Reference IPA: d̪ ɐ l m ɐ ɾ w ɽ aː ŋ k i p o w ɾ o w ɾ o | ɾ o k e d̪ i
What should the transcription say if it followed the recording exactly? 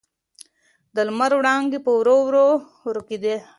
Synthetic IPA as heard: d̪ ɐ l m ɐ ɾ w ɽ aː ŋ ɡ i p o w ɾ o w ɾ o | ɾ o k i d̪ e